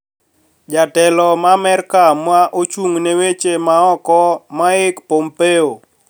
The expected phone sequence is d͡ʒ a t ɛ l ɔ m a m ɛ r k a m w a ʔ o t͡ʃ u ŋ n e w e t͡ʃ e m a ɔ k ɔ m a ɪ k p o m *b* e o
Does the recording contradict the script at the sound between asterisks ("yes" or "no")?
yes